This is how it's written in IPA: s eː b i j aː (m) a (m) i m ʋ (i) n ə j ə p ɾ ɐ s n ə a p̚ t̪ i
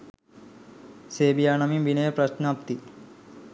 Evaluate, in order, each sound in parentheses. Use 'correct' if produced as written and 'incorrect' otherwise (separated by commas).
incorrect, correct, correct